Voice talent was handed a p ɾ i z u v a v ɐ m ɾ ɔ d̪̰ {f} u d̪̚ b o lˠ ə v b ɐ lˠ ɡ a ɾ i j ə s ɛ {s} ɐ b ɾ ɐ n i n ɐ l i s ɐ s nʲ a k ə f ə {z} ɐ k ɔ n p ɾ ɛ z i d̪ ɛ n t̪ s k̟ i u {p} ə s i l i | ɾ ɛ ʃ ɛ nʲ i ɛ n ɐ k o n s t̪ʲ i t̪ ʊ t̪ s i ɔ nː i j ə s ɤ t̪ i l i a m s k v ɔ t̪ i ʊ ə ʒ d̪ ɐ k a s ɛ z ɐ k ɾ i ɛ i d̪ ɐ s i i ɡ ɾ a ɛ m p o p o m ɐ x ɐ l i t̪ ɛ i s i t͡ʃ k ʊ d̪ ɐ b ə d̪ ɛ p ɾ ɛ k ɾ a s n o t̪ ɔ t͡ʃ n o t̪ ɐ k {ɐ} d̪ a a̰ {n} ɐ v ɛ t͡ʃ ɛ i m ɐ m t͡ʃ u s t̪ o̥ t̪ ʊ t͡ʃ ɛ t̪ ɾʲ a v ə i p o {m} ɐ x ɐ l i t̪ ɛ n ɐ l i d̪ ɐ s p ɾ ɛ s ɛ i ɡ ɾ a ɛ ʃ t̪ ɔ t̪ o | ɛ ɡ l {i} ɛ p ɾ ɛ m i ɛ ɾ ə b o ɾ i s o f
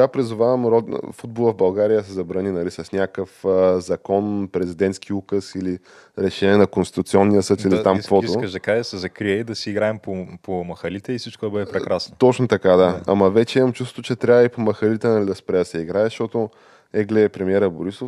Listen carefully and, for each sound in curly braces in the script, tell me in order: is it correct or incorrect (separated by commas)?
correct, incorrect, correct, incorrect, incorrect, incorrect, correct, incorrect